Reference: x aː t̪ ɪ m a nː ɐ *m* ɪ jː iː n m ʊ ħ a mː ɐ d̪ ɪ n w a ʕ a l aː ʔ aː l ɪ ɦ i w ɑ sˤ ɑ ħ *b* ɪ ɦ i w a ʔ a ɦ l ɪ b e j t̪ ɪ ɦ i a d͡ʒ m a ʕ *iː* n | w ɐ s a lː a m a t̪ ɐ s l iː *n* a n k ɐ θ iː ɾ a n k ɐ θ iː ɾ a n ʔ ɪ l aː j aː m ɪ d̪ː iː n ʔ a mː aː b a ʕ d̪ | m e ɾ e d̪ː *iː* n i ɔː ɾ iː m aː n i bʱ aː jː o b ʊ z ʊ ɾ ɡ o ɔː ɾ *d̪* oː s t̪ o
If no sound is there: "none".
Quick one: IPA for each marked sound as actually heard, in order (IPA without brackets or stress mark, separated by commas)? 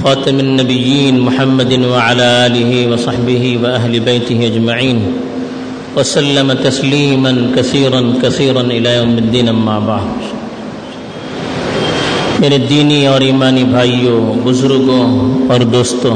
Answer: b, b, iː, m, iː, d̪